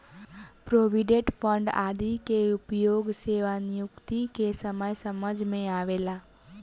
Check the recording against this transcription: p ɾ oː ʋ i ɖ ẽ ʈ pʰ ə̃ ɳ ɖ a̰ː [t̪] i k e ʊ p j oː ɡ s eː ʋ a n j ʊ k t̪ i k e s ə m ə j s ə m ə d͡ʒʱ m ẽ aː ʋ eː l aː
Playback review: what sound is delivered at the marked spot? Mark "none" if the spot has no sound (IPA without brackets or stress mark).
d̪